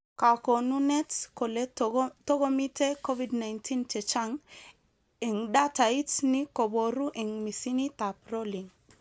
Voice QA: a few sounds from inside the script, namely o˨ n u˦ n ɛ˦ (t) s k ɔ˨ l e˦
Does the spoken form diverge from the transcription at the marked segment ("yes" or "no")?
no